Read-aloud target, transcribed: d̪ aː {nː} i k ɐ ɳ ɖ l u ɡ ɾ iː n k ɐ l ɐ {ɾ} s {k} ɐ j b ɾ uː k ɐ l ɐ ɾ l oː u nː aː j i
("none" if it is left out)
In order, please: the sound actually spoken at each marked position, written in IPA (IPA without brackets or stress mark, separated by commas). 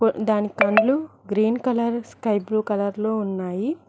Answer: n, ɾ, k